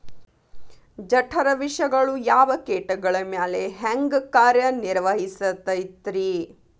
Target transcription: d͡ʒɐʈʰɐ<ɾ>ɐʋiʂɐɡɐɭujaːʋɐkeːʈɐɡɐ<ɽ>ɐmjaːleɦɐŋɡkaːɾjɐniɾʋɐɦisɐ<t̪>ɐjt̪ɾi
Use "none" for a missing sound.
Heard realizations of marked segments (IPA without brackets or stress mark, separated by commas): ɾ, ɭ, t̪